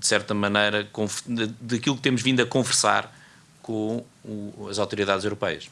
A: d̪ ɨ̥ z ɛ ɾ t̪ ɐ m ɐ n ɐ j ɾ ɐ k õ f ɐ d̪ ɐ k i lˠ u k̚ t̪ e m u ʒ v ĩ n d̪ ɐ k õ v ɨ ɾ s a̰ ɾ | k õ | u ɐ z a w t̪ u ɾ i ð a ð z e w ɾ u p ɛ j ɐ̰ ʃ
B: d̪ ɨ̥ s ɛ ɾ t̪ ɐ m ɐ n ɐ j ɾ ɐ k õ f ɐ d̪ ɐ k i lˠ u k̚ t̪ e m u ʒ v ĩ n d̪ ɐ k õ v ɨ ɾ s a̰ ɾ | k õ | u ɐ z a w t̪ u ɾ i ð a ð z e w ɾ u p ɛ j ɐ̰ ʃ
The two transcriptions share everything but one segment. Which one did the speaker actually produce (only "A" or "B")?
B